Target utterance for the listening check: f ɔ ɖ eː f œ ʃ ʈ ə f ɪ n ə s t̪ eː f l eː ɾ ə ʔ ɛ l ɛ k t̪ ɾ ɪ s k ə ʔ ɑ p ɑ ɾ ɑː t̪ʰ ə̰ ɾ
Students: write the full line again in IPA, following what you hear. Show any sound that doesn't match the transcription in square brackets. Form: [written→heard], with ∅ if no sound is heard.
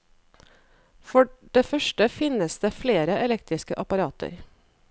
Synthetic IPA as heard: f ɔ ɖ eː f œ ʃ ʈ ə f ɪ n ə s [t̪→d̪] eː f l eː ɾ ə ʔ ɛ l ɛ k t̪ ɾ ɪ s k ə ʔ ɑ p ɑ ɾ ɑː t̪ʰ ə̰ ɾ